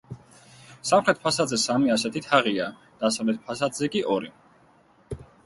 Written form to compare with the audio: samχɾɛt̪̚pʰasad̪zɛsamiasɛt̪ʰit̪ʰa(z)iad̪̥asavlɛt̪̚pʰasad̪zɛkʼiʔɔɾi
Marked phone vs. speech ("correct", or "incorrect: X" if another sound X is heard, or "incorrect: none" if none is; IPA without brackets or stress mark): incorrect: ʁ